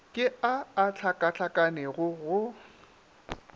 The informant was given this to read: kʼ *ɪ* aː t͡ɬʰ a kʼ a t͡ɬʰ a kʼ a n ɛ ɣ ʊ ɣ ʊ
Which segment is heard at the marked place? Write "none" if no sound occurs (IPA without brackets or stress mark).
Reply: ɪ